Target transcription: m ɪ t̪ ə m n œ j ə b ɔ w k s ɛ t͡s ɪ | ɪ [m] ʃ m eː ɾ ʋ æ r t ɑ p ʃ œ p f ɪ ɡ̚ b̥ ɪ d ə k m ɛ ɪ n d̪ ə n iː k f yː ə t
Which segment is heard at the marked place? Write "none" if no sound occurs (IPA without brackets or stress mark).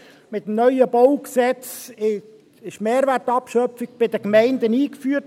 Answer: none